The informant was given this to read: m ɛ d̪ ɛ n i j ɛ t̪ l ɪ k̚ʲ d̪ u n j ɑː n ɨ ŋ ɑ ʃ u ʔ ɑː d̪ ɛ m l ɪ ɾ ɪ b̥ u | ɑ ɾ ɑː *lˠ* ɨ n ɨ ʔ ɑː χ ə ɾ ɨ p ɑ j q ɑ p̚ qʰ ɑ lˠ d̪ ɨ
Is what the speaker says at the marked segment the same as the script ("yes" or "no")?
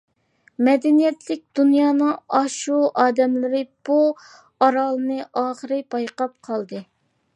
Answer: yes